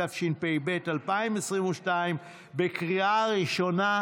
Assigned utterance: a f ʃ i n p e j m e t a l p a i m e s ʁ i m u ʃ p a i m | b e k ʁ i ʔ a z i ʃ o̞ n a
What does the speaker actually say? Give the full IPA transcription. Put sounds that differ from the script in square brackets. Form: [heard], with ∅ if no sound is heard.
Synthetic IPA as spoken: a f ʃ i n p e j [b] e t a l p a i m e s ʁ i m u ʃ [t] a i m | b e k ʁ i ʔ a [ʁ] i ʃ o̞ n a